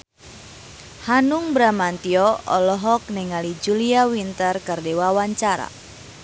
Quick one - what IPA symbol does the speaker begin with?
h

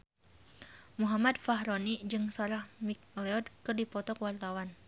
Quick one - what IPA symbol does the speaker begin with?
m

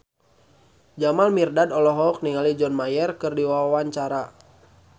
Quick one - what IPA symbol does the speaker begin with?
d͡ʒ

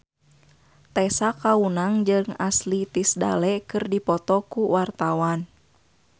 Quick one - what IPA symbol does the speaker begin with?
t̪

